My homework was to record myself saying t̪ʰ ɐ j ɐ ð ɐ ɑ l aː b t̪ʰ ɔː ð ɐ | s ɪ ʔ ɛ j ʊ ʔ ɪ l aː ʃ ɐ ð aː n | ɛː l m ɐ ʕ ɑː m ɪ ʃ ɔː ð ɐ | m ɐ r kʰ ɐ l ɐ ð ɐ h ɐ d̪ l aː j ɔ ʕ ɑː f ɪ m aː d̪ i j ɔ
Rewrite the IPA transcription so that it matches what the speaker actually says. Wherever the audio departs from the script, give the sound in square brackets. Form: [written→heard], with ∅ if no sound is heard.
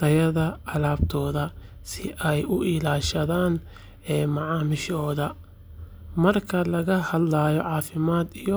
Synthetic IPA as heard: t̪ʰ ɐ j ɐ ð ɐ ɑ l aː b t̪ʰ ɔː ð ɐ | s ɪ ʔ ɛ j ʊ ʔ ɪ l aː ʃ ɐ ð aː n | ɛː [l→∅] m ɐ ʕ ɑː m ɪ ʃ ɔː ð ɐ | m ɐ r kʰ ɐ l ɐ [ð→ɣ] ɐ h ɐ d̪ l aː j ɔ ʕ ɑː f ɪ m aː d̪ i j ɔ